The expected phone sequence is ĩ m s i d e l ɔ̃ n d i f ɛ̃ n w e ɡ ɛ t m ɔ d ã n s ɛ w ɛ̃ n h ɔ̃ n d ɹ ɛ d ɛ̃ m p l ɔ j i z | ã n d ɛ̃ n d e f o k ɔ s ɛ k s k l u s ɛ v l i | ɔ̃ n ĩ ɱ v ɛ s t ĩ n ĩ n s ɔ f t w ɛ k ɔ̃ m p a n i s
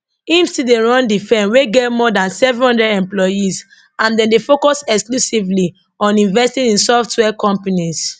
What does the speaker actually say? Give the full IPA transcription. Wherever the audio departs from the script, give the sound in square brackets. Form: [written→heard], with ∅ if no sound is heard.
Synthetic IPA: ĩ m s i d e [l→ɹ] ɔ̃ n d i f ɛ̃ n w e ɡ ɛ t m ɔ d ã n s ɛ [w→v] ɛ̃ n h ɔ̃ n d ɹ ɛ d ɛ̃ m p l ɔ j i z | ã n d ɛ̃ n d e f o k ɔ s ɛ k s k l u s [ɛ→i] v l i | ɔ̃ n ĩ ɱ v ɛ s t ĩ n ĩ n s ɔ f t w ɛ k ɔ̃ m p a n i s